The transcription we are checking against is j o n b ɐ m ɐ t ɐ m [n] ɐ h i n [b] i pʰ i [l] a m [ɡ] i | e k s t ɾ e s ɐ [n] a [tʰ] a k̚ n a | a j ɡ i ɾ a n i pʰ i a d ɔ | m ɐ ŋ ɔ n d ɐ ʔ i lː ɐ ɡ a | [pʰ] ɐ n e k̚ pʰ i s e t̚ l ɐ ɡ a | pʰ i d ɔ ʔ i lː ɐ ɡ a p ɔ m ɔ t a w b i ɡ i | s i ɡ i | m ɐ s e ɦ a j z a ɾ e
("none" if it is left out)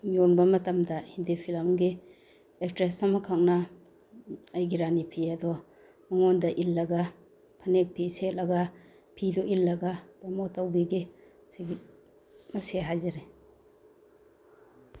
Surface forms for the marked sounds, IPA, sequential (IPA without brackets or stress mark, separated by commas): d, d, l, ɡ, m, kʰ, pʰ